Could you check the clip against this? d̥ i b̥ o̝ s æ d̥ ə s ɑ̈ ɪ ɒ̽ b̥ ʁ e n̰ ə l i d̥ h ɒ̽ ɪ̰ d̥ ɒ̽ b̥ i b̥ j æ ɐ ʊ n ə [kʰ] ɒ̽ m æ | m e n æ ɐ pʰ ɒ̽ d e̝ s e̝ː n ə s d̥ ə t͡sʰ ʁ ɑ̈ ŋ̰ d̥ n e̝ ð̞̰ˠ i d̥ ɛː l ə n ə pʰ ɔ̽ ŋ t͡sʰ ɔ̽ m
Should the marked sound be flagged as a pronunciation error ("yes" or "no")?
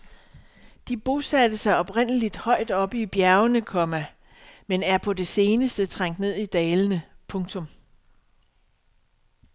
no